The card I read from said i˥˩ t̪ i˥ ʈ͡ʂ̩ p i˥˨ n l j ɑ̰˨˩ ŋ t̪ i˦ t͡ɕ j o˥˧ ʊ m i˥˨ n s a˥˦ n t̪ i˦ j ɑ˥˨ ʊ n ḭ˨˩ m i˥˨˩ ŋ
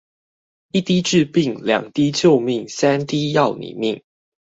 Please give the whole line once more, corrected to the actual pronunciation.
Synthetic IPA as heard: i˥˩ t̪ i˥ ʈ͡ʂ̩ p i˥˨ ŋ l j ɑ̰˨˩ ŋ t̪ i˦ t͡ɕ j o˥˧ ʊ m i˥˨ ŋ s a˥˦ n t̪ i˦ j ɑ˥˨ ʊ n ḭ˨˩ m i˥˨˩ ŋ